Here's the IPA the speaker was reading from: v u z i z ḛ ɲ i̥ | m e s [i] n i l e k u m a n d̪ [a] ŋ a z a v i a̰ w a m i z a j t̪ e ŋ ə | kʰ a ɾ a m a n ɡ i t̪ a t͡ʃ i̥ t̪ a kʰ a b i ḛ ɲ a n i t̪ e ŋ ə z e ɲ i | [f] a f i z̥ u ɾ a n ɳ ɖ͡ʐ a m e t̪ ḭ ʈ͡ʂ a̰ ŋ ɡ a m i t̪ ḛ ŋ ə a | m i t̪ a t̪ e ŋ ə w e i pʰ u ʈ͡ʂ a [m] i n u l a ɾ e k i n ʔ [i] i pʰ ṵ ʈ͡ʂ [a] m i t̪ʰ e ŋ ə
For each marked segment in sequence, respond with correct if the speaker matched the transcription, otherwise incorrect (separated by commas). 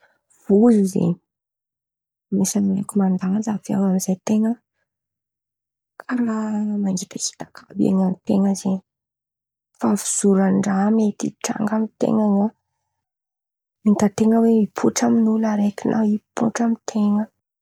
incorrect, correct, correct, correct, incorrect, correct